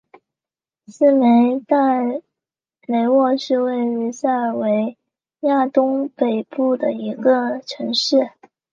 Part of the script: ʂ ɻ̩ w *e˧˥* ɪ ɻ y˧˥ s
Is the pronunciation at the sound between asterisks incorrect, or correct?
incorrect